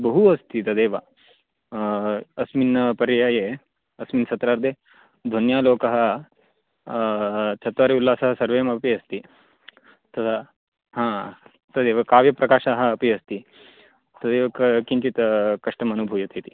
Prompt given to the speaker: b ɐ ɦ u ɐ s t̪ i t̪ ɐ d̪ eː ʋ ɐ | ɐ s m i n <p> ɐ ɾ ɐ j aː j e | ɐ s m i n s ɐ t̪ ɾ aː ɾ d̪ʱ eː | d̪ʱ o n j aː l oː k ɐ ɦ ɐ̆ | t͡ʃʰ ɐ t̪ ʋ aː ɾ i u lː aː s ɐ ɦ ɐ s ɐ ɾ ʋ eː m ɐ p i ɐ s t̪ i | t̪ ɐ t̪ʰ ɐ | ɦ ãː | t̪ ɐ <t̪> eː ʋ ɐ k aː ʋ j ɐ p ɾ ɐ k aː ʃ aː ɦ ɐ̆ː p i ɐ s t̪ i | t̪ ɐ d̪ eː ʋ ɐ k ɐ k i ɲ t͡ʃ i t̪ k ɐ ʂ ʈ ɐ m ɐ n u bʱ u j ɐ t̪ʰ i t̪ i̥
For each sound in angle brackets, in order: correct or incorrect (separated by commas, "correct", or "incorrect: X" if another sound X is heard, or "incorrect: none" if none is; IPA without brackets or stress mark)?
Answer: correct, incorrect: d̪